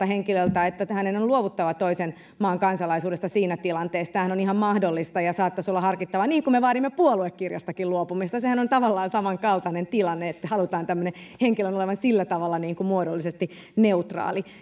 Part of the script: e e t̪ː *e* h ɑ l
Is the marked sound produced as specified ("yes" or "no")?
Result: no